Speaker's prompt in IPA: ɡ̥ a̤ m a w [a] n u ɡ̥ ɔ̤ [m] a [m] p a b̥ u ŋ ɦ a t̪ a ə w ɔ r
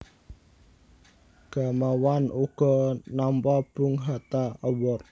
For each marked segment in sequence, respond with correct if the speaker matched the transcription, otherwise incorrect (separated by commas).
correct, incorrect, correct